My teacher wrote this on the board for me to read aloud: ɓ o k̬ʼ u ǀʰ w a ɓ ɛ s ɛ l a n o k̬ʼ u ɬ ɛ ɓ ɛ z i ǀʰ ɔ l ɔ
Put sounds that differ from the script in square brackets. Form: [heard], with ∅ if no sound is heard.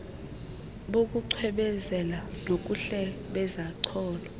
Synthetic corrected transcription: ɓ o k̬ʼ u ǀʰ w [ɛ] ɓ ɛ [z] ɛ l a n o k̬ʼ u ɬ ɛ ɓ ɛ z [a] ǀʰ [ɔː] l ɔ

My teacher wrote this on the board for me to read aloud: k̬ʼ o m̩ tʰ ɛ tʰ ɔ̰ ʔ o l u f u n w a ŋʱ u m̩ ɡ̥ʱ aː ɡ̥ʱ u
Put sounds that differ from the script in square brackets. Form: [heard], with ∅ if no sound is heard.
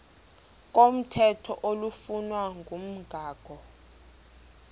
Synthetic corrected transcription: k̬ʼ o m̩ tʰ ɛ tʰ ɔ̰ ʔ o l u f u n w a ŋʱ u m̩ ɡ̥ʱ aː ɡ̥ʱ [ɔ]

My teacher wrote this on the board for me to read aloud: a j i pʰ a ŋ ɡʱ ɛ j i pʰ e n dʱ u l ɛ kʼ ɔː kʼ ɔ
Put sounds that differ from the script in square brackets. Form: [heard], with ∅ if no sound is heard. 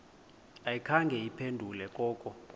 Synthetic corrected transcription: a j i [kʰ] a ŋ ɡʱ ɛ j i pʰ e n dʱ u l ɛ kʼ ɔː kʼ ɔ

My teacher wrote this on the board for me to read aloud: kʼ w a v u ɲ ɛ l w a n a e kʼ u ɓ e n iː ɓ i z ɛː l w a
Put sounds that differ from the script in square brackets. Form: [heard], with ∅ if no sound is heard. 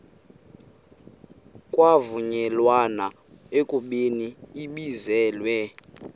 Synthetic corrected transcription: kʼ w a v u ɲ ɛ l w a n a e kʼ u ɓ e n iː ɓ i z ɛː l w [ɛ]

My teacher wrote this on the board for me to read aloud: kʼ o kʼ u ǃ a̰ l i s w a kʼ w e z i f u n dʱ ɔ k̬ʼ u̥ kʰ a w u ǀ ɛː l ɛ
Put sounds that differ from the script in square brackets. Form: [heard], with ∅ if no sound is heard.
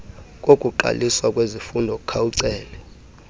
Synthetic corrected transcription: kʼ o kʼ u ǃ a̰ l i s w a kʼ w e z i f u n dʱ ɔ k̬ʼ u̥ kʰ a w u ǀ ɛː l ɛ

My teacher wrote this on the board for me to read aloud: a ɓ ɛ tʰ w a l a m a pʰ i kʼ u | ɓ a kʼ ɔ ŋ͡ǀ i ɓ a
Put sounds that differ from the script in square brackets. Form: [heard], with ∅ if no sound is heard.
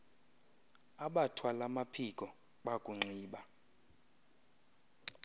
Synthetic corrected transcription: a ɓ [a] tʰ w a l a m a pʰ i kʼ [ɔ] | ɓ a kʼ [u] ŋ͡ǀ [iː] ɓ a

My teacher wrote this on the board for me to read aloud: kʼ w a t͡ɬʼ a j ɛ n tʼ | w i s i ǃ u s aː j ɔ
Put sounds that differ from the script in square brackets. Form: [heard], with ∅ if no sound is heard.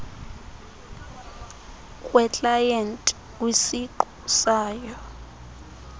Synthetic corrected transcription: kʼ w [ɛ] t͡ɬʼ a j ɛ n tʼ | w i s i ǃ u s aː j ɔ

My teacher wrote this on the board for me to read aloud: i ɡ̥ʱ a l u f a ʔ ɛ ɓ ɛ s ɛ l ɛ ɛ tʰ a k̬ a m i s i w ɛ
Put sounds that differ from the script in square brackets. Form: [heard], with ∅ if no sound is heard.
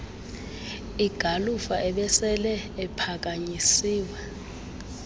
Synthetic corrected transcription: i ɡ̥ʱ a l u f a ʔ ɛ ɓ ɛ s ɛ l ɛ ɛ [pʰ] a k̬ a [ɲ] i s [iː] w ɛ

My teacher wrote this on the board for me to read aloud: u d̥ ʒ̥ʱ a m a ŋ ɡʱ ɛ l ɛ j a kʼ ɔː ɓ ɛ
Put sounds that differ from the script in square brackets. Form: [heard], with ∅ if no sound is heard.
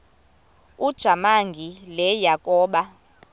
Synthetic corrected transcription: u d̥ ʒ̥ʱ a m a ŋ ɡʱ [i] l ɛ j a kʼ ɔː ɓ [a]

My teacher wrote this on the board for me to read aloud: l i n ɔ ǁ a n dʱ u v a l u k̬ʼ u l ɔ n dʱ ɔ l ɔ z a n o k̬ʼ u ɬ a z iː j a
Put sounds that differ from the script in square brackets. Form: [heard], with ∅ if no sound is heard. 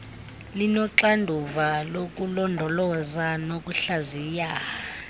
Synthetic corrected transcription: l i n ɔ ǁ a n dʱ u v a l [o] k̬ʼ u l ɔ n dʱ ɔ l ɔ z a n o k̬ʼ u ɬ a z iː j a

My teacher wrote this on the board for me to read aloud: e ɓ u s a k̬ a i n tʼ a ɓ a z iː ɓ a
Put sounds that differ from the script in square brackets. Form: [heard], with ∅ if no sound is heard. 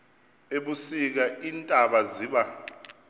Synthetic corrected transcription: e ɓ u s [i] k̬ a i n tʼ a ɓ a z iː ɓ a

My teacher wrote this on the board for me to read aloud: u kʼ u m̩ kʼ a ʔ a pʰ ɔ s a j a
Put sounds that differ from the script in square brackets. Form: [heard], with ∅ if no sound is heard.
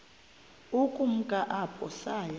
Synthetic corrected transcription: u kʼ u m̩ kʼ a ʔ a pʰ ɔ s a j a

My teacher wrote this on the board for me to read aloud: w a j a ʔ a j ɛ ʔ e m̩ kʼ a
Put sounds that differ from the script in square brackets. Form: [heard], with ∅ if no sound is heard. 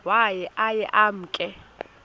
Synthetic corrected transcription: w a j [ɛ] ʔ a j ɛ ʔ [a] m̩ kʼ [ɛ]

